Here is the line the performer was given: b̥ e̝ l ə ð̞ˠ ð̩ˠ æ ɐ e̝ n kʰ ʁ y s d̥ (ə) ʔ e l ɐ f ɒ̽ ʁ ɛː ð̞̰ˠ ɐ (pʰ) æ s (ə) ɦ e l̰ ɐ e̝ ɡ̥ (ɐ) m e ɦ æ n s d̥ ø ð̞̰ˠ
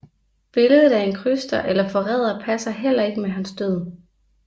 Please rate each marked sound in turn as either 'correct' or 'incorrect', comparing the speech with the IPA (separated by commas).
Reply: incorrect, correct, incorrect, incorrect